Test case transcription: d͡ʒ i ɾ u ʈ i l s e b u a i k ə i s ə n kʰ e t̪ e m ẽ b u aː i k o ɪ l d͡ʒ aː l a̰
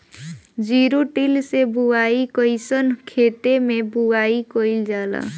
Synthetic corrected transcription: d͡ʒ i ɾ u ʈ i l s e b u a i k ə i s ə n kʰ e t̪ e m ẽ b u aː i k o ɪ l d͡ʒ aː l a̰